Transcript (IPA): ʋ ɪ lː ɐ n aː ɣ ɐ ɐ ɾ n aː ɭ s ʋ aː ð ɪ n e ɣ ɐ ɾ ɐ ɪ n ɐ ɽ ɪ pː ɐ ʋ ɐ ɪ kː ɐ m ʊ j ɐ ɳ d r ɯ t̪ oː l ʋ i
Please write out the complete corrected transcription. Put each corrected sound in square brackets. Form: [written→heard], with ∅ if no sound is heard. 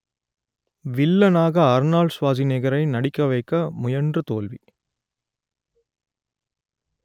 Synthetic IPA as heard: ʋ ɪ lː ɐ n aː ɣ ɐ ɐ ɾ n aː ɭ s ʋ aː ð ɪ n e ɣ ɐ ɾ ɐ ɪ n ɐ ɽ ɪ [pː→kː] ɐ ʋ ɐ ɪ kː ɐ m ʊ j ɐ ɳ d r ɯ t̪ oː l ʋ i